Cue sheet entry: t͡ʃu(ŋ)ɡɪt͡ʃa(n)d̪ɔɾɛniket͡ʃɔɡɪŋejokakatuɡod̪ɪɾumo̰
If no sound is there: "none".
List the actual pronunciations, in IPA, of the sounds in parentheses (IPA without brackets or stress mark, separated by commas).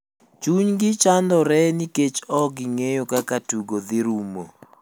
ɲ, n